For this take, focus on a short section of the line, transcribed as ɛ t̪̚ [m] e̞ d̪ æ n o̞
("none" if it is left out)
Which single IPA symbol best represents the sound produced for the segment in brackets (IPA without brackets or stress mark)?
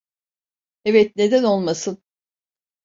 n